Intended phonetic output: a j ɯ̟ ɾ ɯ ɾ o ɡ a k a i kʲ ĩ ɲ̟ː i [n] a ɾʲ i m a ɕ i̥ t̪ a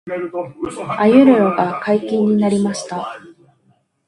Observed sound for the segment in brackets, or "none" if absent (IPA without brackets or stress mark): n